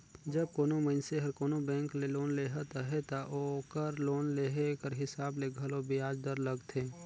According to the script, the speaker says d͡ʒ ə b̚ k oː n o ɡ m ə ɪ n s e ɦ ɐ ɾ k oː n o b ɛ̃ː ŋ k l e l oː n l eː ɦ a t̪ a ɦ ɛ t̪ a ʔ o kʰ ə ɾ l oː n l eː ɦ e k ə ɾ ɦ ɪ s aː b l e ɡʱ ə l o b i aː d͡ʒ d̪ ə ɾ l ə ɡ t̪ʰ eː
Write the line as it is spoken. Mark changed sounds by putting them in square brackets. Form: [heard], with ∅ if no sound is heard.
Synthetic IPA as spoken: d͡ʒ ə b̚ k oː n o [∅] m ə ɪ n s e ɦ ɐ ɾ k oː n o b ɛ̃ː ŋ k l e l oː n l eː ɦ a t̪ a ɦ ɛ t̪ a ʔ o [k] ə ɾ l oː n l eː ɦ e k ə ɾ ɦ ɪ s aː b l e ɡʱ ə l o b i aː d͡ʒ d̪ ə ɾ l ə ɡ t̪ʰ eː